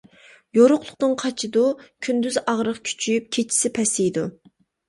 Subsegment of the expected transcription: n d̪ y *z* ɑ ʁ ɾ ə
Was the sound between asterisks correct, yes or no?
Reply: yes